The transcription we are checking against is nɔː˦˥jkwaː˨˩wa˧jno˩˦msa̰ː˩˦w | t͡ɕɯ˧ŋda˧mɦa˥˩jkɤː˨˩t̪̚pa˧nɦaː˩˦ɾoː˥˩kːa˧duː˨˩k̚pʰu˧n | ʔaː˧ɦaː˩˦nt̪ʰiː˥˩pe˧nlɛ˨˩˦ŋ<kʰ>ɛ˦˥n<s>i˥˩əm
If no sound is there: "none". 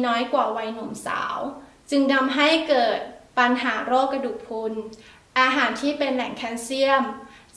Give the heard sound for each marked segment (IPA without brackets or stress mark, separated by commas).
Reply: kʰ, s